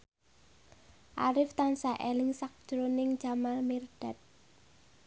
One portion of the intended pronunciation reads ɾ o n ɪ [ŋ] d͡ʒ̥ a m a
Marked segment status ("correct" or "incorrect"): correct